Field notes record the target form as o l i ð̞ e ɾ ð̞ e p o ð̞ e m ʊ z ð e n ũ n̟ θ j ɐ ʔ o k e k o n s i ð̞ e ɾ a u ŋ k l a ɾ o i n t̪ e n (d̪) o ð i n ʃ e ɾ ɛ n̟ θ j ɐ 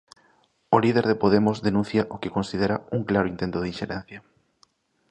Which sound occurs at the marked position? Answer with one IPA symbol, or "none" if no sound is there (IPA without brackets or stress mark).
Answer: t̪